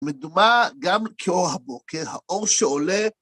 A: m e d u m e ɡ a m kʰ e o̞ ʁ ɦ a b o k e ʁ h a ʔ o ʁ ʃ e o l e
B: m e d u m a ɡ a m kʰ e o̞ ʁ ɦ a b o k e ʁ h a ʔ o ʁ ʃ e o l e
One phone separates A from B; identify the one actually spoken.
B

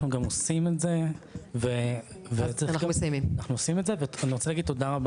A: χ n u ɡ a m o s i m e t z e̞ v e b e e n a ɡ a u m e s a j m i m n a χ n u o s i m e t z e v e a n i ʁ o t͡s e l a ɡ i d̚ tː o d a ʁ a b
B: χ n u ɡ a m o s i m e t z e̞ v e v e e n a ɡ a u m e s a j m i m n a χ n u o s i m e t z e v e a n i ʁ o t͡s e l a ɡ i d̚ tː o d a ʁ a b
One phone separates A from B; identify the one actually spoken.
B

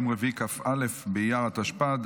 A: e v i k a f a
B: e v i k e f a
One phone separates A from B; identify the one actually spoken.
A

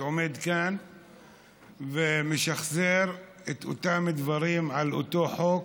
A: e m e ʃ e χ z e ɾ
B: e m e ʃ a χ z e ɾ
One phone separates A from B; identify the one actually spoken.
B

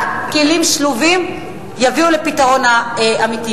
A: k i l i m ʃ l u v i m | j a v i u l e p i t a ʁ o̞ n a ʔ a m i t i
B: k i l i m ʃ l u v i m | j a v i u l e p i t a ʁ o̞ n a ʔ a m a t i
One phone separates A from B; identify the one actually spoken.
A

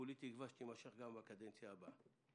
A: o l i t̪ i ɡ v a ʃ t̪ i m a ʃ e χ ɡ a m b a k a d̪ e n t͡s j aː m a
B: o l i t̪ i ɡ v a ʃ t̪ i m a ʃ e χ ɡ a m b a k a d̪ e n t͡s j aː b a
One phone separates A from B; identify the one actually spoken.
B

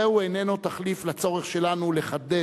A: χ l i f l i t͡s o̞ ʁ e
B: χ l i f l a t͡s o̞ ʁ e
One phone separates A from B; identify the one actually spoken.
B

